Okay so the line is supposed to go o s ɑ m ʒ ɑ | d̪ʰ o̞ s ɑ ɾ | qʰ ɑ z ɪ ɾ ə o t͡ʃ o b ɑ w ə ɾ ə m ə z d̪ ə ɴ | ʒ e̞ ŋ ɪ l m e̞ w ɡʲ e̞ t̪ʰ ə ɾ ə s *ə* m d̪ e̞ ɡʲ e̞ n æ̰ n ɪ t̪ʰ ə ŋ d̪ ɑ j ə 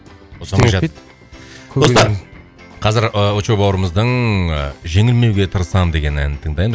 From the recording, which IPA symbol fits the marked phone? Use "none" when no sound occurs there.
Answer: ɑ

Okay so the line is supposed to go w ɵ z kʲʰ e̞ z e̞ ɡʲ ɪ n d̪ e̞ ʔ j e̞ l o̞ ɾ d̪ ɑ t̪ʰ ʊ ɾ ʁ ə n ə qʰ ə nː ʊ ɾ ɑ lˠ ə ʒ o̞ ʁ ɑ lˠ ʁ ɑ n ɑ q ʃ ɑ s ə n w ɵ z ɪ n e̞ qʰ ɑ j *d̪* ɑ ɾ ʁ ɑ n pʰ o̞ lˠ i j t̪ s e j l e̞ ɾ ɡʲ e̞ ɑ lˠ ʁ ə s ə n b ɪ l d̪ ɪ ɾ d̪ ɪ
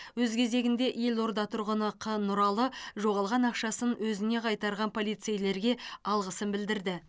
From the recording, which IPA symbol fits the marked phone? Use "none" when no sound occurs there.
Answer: t̪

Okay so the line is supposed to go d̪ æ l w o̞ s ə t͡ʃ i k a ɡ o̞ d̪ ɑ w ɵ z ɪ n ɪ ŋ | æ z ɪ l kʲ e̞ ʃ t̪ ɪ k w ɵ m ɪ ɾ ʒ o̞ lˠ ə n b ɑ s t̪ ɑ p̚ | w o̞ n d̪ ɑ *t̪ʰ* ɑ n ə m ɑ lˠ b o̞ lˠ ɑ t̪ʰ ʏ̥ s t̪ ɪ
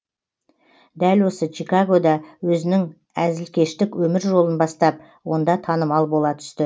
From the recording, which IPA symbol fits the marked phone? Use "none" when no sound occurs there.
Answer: t̪ʰ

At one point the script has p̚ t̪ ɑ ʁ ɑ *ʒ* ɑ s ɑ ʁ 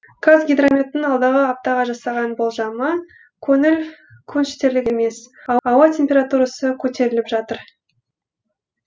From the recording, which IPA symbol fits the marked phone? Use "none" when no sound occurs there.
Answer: ʒ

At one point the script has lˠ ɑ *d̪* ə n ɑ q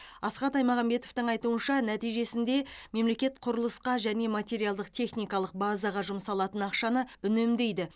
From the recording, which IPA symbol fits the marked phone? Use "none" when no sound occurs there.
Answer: t̪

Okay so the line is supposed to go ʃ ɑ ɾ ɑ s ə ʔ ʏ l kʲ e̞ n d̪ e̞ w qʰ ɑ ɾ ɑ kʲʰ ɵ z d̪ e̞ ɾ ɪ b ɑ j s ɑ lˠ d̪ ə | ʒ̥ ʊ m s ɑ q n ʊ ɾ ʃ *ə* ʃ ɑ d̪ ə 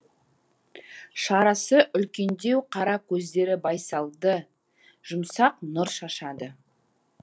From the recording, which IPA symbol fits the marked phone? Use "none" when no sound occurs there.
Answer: ɑ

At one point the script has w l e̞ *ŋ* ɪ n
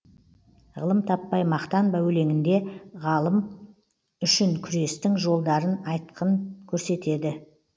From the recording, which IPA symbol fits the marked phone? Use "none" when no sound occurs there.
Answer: ŋ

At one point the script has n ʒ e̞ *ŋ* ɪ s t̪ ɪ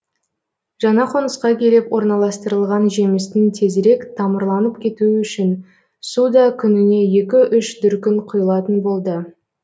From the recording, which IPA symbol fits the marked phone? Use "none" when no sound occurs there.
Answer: m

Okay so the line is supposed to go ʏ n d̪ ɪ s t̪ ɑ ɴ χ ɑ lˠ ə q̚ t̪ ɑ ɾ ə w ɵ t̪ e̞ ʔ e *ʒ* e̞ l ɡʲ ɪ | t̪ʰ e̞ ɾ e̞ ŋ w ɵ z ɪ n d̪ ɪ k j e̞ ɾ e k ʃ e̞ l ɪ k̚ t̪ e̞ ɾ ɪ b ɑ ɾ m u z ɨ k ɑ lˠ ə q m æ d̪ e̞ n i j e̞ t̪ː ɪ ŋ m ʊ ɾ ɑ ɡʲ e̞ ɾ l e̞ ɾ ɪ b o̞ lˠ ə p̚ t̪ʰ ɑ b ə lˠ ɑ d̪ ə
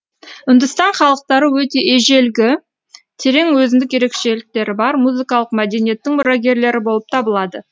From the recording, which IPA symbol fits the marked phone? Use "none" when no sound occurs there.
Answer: ʒ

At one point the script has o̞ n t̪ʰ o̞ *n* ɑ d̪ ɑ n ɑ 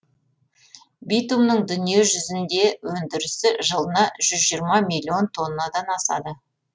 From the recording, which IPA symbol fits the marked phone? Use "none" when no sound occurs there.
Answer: nː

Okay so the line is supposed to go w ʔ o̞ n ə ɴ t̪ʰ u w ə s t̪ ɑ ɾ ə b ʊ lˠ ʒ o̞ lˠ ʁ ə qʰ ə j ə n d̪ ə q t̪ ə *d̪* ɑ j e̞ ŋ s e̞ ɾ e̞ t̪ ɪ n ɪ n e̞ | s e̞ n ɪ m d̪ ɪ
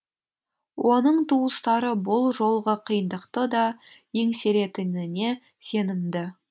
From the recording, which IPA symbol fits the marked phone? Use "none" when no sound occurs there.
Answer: d̪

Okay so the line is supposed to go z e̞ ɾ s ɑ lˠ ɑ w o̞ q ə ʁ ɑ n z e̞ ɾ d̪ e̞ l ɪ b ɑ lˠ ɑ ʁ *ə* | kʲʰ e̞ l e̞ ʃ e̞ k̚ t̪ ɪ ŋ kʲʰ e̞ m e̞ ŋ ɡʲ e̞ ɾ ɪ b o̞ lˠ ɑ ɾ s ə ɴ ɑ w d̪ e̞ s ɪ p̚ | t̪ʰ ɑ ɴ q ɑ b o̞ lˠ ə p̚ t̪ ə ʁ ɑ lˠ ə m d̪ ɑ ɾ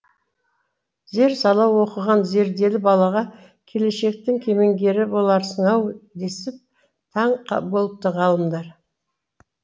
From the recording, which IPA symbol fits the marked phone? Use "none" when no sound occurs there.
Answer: ɑ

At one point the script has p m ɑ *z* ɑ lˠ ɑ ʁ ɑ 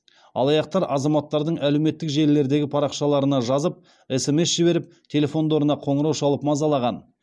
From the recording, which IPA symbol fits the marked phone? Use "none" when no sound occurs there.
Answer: z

